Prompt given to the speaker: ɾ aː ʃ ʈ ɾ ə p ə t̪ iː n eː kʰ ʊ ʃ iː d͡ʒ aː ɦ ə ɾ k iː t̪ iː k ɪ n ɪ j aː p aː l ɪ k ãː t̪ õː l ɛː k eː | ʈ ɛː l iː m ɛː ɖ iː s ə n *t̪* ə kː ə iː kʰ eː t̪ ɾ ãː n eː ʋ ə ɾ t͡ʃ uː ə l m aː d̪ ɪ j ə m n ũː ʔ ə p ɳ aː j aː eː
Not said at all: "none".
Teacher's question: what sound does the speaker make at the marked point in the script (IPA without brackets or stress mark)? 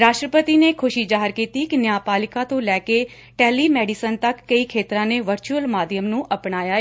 t̪